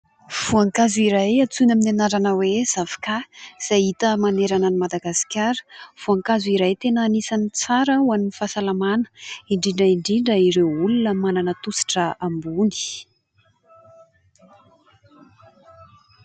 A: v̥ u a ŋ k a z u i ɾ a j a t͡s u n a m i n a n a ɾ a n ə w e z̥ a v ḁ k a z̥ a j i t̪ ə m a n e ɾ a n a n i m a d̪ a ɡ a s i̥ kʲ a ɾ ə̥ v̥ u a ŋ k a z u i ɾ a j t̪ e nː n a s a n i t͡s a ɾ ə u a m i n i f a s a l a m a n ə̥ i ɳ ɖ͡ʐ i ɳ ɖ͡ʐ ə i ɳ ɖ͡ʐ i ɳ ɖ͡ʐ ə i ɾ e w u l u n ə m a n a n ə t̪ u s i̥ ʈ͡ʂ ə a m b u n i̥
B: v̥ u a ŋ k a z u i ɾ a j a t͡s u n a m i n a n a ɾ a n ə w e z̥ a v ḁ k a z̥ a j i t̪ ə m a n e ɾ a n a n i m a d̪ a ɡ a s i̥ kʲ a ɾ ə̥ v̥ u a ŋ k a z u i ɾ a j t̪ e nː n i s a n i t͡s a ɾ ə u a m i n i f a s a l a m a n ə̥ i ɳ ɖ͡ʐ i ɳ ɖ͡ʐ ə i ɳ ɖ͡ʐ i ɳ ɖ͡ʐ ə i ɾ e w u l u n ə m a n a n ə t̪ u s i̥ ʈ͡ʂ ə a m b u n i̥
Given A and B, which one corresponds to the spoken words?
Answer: B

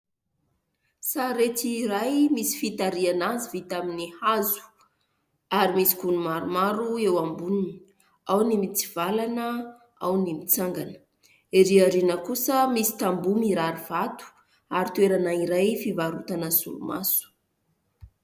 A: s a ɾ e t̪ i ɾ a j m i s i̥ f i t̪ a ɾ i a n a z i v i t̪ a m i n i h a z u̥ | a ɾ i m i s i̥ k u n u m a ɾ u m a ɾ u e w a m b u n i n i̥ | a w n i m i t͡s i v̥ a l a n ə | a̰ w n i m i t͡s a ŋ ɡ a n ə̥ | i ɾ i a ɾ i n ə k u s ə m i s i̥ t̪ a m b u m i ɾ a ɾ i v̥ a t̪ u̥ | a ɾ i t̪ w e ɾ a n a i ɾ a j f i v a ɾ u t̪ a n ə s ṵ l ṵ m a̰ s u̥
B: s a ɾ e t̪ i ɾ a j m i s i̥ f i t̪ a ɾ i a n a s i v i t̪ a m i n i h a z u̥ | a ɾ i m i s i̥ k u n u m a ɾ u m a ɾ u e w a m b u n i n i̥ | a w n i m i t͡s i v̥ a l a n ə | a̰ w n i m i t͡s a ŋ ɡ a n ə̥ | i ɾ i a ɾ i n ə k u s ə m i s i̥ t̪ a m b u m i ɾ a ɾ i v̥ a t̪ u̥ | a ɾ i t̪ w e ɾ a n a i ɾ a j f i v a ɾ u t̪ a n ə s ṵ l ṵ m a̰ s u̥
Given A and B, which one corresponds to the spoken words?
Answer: A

